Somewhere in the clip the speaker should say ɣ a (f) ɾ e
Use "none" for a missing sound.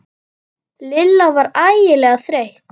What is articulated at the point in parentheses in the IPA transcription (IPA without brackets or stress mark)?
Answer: θ